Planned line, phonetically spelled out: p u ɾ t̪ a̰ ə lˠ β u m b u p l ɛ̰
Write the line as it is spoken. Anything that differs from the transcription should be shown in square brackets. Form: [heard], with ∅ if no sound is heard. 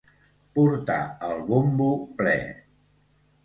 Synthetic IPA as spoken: p u ɾ t̪ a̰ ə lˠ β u m b u p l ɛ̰